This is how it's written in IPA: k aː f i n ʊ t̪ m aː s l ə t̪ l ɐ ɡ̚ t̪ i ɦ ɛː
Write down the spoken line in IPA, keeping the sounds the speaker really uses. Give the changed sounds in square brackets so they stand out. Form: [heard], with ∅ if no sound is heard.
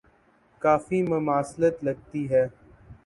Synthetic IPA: k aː f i [m] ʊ [∅] m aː s l ə t̪ l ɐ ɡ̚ t̪ i ɦ ɛː